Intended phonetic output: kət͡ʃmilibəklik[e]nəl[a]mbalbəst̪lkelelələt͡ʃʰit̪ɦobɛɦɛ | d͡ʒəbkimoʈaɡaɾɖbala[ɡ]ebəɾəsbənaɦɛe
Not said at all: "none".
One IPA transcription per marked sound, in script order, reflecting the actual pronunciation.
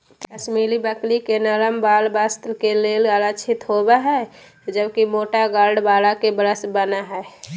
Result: e, ə, k

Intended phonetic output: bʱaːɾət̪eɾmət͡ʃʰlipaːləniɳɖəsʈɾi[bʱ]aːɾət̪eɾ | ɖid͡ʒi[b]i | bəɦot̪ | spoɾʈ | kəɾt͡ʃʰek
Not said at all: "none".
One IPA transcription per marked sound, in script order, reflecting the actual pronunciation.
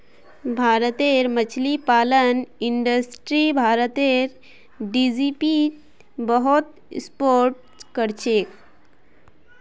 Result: bʱ, p

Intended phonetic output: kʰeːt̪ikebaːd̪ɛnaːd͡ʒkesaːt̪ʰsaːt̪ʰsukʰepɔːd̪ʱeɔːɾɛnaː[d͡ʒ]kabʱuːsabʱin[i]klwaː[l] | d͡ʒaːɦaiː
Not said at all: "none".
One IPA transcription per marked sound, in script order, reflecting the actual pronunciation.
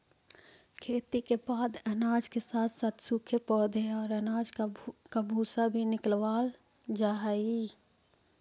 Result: d͡ʒ, ɪ, l

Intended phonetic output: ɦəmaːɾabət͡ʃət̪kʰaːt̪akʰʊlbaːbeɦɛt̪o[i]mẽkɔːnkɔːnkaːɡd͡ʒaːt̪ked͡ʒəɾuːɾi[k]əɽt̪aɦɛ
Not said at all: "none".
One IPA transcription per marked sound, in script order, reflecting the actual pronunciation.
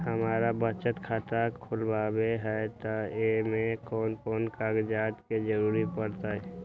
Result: e, p

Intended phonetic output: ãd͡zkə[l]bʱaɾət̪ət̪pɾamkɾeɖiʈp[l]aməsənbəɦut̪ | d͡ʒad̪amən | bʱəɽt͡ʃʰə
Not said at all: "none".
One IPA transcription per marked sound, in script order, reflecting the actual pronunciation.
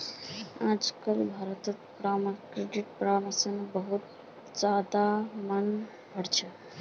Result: l, ɾ

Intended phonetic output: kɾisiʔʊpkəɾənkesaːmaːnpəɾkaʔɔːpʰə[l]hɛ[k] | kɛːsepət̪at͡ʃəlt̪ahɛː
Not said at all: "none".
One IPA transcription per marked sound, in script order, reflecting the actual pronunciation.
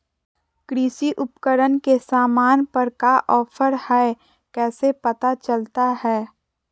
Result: ɾ, none

